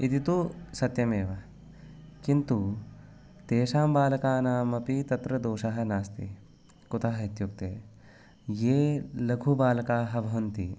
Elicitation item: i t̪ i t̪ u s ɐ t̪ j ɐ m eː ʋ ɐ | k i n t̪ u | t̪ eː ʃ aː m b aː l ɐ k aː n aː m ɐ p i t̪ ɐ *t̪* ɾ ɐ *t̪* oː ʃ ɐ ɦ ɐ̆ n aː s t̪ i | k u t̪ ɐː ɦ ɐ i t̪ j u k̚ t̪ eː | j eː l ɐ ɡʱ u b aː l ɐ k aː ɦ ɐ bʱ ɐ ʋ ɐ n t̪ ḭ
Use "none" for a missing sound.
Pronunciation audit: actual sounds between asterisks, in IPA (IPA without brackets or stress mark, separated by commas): t̪, d̪